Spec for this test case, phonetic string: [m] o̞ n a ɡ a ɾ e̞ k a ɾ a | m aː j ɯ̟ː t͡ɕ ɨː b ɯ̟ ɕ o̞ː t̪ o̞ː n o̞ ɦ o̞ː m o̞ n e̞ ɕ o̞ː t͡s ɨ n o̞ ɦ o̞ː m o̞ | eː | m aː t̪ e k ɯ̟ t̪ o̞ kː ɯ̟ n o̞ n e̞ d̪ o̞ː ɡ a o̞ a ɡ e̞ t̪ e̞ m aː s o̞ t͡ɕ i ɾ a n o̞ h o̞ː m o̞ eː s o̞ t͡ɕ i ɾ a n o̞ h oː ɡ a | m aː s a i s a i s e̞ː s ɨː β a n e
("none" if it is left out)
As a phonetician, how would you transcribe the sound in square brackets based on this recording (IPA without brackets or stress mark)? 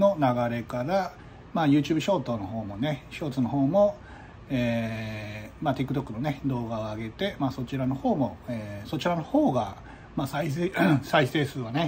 n